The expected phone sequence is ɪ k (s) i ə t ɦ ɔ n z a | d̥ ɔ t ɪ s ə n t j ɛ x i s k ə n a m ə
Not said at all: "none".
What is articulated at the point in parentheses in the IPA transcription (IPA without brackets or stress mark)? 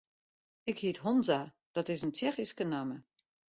h